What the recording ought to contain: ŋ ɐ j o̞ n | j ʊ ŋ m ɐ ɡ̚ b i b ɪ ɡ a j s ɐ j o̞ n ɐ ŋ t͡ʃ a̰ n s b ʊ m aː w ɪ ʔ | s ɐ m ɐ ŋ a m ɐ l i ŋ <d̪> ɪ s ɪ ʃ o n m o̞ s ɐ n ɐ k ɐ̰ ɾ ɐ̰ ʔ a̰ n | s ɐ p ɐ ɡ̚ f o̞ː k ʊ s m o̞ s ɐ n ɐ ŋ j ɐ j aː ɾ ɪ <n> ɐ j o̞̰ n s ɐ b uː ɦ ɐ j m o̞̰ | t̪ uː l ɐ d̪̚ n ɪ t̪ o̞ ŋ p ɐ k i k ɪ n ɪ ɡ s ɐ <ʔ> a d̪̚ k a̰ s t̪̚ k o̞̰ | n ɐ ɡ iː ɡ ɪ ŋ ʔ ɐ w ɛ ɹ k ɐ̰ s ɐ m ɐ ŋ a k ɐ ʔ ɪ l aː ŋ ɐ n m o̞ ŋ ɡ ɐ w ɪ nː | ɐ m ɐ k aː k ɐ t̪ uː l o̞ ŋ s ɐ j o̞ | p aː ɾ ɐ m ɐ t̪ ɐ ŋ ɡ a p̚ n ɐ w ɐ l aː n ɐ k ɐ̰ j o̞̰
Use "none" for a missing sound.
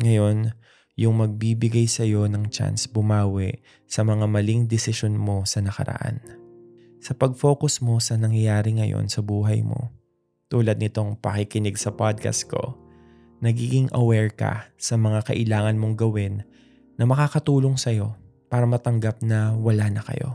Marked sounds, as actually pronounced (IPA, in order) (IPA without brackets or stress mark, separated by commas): d̪, ŋ, p